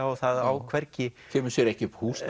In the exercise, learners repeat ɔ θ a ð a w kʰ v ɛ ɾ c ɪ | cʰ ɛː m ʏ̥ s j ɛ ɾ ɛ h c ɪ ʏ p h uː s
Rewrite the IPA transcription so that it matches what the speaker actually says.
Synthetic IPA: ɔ θ a ð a w kʰ v ɛ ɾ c ɪ | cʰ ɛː m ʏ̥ s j ɛ ɾ ɛ h c ɪ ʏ p h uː s